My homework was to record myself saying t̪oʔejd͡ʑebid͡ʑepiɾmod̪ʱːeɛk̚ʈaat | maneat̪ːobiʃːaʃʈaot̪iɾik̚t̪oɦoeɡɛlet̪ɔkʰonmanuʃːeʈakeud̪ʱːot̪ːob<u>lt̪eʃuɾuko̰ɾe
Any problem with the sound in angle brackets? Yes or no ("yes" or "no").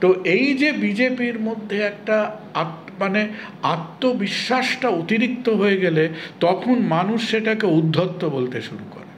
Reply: yes